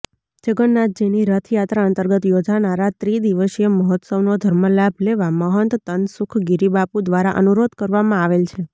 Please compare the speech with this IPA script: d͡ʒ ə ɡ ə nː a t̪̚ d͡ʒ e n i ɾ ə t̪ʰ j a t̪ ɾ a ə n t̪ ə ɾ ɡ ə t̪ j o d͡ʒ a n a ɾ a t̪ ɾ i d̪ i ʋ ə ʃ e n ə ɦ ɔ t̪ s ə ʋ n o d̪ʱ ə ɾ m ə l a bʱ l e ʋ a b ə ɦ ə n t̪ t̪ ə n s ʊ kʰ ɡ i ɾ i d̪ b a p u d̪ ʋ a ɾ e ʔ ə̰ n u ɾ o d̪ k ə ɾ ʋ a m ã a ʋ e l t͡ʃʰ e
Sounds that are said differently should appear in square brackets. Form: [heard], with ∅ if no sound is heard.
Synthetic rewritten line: d͡ʒ ə ɡ ə nː a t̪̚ d͡ʒ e n i ɾ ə t̪ʰ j a t̪ ɾ a ə n t̪ ə ɾ ɡ ə t̪ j o d͡ʒ a n a ɾ a t̪ ɾ i d̪ i ʋ ə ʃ e [m] ə ɦ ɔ t̪ s ə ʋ n o d̪ʱ ə ɾ m ə l a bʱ l e ʋ a [m] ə ɦ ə n t̪ t̪ ə n s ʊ kʰ ɡ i ɾ i [∅] b a p u d̪ ʋ a ɾ [a] ʔ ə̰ n u ɾ o d̪ k ə ɾ ʋ a m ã a ʋ e l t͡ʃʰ e

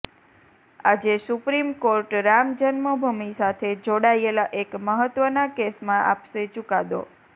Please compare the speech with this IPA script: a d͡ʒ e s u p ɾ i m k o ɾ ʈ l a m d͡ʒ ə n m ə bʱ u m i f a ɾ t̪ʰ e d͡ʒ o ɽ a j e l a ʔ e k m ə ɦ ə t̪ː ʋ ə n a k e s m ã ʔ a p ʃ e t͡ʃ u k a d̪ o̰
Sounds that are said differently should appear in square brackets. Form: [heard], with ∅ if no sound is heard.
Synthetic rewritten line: a d͡ʒ e s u p ɾ i m k o ɾ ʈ [ɾ] a m d͡ʒ ə n m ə bʱ u m i [s] a [∅] t̪ʰ e d͡ʒ o ɽ a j e l a ʔ e k m ə ɦ ə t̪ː ʋ ə n a k e s m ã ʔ a p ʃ e t͡ʃ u k a d̪ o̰

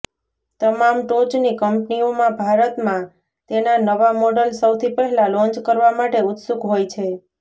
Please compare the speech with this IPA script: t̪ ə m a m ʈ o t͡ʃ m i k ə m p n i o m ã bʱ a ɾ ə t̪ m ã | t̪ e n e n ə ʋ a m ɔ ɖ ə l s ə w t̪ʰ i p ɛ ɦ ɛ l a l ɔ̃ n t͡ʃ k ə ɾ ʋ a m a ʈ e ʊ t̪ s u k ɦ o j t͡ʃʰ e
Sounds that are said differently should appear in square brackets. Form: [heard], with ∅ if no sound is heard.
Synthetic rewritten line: t̪ ə m a m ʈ o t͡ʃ [n] i k ə m p n i o m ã bʱ a ɾ ə t̪ m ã | t̪ e n [a] n ə ʋ a m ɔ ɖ ə l s ə w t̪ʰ i p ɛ ɦ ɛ l a l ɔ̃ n t͡ʃ k ə ɾ ʋ a m a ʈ e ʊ t̪ s u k ɦ o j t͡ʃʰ e

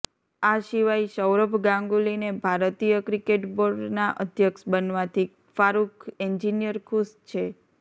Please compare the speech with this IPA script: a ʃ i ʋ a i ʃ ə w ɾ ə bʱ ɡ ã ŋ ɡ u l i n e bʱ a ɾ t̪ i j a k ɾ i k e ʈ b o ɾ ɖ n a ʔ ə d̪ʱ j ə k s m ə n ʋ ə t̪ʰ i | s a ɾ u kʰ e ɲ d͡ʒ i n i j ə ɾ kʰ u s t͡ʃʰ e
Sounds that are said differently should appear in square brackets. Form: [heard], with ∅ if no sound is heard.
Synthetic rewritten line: a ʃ i ʋ a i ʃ ə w ɾ ə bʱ ɡ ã ŋ ɡ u l i n e bʱ a ɾ t̪ i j [ə] k ɾ i k e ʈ b o ɾ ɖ n a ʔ ə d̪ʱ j ə k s [b] ə n ʋ [a] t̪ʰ i | [f] a ɾ u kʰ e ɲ d͡ʒ i n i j ə ɾ kʰ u s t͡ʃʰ e

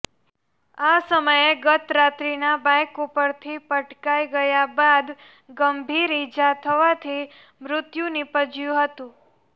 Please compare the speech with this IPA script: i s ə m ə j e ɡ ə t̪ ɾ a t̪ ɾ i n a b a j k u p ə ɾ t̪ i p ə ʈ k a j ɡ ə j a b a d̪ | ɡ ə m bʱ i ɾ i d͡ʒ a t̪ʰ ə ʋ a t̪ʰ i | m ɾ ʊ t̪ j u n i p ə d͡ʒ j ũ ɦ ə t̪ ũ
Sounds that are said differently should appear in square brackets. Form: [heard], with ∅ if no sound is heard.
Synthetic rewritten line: [a] s ə m ə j e ɡ ə t̪ ɾ a t̪ ɾ i n a b a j k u p ə ɾ [t̪ʰ] i p ə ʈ k a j ɡ ə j a b a d̪ | ɡ ə m bʱ i ɾ i d͡ʒ a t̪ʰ ə ʋ a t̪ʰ i | m ɾ ʊ t̪ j u n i p ə d͡ʒ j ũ ɦ ə t̪ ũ

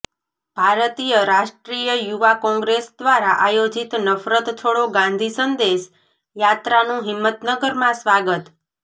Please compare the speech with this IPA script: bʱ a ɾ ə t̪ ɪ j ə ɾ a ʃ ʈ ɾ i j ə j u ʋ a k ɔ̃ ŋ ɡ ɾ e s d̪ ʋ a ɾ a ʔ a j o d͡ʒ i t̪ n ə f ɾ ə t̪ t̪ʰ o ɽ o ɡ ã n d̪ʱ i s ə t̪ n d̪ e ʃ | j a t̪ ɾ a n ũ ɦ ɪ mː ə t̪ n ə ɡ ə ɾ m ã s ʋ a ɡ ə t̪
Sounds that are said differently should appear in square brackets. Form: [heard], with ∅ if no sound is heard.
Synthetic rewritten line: bʱ a ɾ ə t̪ [i] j ə ɾ a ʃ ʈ ɾ i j ə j u ʋ a k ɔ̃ ŋ ɡ ɾ e s d̪ ʋ a ɾ a ʔ a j o d͡ʒ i t̪ n ə f ɾ ə t̪ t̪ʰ o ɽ o ɡ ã n d̪ʱ i s ə [∅] n d̪ e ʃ | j a t̪ ɾ a n ũ ɦ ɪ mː ə t̪ n ə ɡ ə ɾ m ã s ʋ a ɡ ə t̪

